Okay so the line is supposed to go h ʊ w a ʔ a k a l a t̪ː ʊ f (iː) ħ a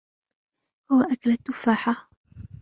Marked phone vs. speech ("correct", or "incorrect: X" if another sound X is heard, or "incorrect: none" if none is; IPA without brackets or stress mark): incorrect: aː